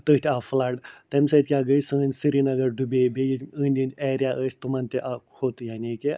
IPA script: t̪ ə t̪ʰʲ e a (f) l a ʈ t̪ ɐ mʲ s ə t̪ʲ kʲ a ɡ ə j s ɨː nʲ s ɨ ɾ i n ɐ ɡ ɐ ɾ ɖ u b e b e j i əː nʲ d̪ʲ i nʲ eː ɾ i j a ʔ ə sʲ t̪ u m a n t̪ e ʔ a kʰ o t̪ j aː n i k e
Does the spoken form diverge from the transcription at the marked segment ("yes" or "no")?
no